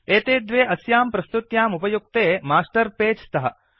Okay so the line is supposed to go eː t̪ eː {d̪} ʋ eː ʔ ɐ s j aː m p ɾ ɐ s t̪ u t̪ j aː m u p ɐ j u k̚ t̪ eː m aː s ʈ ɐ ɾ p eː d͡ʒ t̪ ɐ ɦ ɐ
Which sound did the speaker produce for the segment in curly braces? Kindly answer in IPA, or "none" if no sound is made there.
d̪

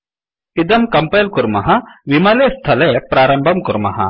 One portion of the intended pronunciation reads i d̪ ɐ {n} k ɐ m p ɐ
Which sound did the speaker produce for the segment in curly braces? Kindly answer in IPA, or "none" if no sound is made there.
m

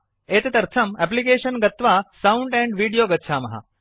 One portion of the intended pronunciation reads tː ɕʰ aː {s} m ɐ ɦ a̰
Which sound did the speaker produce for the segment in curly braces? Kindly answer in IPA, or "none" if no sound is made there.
none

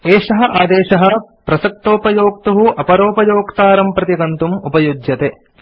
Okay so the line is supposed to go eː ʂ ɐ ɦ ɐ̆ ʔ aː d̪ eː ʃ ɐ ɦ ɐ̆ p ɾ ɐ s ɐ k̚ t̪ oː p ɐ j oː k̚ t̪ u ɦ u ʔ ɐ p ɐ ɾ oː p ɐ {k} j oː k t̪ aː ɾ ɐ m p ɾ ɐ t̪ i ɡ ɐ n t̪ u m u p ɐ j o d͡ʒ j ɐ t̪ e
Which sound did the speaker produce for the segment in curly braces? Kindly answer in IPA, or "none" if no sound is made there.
none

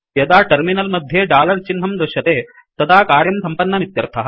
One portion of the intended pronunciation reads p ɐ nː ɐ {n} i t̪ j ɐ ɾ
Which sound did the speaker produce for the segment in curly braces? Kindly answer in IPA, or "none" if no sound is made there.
m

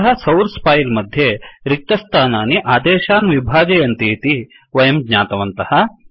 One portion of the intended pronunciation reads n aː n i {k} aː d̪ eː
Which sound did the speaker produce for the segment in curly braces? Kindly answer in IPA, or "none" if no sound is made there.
ʔ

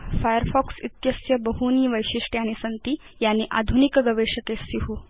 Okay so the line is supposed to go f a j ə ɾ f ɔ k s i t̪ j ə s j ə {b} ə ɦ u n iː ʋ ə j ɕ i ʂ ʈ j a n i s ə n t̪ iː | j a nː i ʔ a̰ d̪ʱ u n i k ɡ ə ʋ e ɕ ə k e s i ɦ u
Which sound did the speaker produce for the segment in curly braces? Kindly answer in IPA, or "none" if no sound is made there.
b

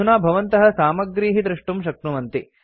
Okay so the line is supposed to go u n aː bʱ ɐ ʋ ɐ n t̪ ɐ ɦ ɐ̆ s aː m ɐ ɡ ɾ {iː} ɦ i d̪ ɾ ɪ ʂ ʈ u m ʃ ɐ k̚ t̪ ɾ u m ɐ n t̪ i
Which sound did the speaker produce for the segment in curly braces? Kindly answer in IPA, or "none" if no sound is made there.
iː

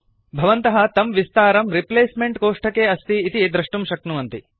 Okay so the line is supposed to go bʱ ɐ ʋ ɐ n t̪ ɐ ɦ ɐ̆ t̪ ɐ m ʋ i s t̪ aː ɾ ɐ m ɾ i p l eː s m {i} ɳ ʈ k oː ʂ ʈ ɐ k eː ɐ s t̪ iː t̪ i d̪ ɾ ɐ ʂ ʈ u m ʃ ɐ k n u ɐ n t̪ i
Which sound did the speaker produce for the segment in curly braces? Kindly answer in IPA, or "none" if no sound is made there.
e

